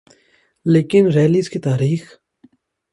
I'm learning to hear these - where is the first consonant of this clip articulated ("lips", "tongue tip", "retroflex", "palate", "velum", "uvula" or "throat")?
tongue tip